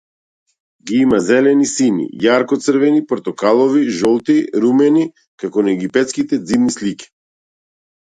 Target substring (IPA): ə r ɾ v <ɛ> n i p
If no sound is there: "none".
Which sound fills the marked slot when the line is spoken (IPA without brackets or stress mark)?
ɛ